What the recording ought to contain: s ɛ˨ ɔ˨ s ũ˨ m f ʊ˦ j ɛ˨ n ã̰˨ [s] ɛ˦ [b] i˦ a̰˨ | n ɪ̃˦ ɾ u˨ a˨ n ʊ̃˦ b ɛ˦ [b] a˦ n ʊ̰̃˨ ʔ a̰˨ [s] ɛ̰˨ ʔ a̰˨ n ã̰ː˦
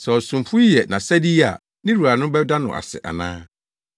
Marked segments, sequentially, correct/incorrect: correct, incorrect: d, incorrect: d, correct

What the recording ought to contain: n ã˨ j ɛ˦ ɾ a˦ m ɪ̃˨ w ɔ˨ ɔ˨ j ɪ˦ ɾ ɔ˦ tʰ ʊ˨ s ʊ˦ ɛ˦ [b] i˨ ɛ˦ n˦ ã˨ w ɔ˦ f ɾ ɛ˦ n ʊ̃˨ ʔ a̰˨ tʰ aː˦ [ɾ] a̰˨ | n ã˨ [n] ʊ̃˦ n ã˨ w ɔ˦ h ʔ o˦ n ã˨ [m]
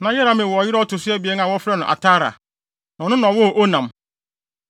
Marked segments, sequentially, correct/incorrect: correct, correct, correct, correct

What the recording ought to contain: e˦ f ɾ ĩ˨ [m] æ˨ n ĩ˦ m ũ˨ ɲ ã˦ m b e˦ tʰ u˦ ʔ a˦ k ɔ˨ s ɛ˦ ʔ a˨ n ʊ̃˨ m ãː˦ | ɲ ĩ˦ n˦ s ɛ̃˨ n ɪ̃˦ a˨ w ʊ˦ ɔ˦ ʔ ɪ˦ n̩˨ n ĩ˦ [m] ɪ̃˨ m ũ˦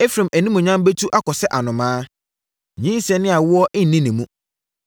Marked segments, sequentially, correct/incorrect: correct, incorrect: n

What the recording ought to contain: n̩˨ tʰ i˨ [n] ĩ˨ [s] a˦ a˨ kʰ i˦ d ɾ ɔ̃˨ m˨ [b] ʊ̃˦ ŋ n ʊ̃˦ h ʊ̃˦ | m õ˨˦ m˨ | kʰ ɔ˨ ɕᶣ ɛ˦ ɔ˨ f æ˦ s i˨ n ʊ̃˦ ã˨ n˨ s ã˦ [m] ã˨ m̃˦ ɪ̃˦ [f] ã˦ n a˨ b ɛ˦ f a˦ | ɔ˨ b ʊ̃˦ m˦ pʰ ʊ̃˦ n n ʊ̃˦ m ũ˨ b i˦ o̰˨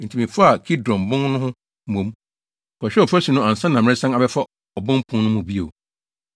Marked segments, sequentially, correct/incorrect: incorrect: m, incorrect: f, correct, incorrect: n, incorrect: s

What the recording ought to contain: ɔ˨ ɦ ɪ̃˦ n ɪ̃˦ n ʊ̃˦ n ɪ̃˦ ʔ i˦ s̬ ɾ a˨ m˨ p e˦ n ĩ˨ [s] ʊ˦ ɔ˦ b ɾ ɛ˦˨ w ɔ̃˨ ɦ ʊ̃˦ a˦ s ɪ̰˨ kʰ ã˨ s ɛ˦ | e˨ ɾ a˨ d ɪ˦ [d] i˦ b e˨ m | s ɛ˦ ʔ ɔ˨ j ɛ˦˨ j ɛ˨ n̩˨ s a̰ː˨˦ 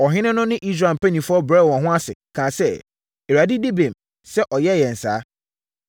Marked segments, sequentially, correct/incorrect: incorrect: f, correct

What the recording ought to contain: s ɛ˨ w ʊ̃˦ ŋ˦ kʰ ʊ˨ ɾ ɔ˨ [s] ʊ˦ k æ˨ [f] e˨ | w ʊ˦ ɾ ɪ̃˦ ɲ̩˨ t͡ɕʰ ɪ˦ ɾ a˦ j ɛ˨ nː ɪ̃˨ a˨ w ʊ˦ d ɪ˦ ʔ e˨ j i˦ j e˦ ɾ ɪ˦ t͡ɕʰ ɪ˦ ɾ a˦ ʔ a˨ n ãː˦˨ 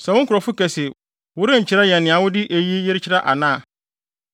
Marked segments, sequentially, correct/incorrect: incorrect: f, incorrect: s

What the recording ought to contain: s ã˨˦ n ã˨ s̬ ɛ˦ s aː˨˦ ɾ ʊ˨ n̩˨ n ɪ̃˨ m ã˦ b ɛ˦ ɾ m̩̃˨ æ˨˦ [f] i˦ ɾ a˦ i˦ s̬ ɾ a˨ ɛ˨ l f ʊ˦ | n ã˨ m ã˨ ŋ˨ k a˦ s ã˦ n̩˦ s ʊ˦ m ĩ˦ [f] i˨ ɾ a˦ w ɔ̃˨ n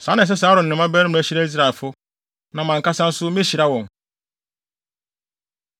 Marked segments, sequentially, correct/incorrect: incorrect: ɕ, incorrect: ɕ

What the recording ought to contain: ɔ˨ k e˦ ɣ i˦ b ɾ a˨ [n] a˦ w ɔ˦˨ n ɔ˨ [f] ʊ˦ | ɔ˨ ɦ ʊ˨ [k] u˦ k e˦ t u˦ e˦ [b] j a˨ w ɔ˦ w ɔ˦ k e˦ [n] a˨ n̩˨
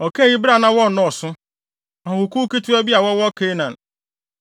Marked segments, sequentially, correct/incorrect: correct, incorrect: s, correct, correct, correct

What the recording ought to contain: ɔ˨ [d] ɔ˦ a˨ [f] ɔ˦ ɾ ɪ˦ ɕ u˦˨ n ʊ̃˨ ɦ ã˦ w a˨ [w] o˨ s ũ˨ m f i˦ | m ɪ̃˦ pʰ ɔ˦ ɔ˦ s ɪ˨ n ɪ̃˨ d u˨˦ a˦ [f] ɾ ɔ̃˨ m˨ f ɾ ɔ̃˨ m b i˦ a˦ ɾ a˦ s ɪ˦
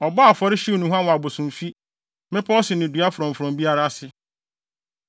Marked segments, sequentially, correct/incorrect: incorrect: b, correct, incorrect: b, correct

